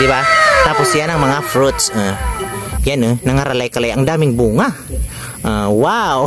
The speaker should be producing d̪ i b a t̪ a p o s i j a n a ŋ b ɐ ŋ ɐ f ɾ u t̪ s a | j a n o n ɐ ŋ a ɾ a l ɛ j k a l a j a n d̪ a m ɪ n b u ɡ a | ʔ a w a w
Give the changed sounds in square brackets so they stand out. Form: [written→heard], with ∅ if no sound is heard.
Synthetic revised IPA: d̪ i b a t̪ a p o s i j a n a ŋ [b→m] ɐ ŋ [ɐ→a] f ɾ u t̪ s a | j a n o n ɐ ŋ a ɾ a l [ɛ→a] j k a l a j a [n→ŋ] d̪ a m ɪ [n→ŋ] b u [ɡ→ŋ] a | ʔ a w a w